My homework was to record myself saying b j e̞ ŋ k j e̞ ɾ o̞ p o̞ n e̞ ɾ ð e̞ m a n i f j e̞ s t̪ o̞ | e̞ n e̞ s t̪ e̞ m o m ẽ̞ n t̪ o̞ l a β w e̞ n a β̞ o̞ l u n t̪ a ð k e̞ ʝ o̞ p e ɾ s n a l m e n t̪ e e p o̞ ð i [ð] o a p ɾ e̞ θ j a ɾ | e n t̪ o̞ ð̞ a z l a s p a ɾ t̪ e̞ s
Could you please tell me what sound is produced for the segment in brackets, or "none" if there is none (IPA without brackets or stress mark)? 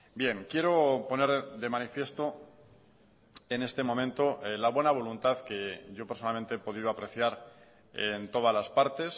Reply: ð